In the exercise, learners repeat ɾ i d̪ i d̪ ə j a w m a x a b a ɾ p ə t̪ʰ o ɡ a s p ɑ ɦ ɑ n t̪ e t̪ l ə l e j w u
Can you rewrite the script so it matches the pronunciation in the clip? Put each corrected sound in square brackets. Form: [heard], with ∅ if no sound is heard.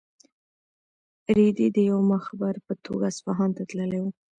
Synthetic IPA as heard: ɾ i d̪ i d̪ ə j a w m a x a b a ɾ p ə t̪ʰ o ɡ a s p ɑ ɦ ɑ n t̪ [a] t̪ l ə l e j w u

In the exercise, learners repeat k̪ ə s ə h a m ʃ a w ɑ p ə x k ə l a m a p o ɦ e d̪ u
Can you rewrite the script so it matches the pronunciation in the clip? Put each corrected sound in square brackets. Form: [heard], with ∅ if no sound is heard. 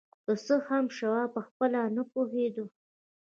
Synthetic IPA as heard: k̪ ə s ə h a m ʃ a w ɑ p ə x [p] ə l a [n] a p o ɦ e d̪ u

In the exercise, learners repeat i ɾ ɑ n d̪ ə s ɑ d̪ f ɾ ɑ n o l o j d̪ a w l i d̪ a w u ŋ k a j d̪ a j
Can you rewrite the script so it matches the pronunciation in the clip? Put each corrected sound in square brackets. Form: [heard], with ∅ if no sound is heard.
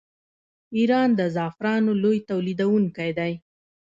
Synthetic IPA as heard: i ɾ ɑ n d̪ ə [z] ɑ [∅] f ɾ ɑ n o l o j [t̪] a w l i d̪ a w u ŋ k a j d̪ a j

